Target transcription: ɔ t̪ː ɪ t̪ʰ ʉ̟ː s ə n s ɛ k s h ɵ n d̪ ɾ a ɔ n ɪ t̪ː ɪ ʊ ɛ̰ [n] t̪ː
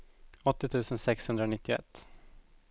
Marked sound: incorrect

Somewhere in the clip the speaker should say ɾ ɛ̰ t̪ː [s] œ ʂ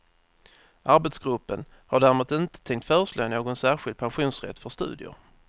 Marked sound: incorrect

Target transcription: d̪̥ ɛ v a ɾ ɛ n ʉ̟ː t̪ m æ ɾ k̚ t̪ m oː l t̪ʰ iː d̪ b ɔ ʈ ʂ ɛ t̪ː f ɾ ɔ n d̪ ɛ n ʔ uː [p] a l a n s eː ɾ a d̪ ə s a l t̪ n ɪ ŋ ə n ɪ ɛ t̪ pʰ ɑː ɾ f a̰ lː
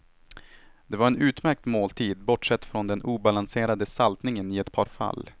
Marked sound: incorrect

